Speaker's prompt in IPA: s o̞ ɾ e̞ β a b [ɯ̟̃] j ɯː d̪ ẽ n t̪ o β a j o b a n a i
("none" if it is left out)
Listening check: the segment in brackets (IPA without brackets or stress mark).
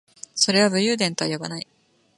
ɯ̟